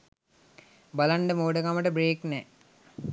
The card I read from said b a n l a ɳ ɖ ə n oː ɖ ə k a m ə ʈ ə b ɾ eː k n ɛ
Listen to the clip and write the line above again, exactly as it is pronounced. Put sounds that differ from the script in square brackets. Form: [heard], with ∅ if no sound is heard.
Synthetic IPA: b a [∅] l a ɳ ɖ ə [m] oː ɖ ə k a m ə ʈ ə b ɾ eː k n ɛ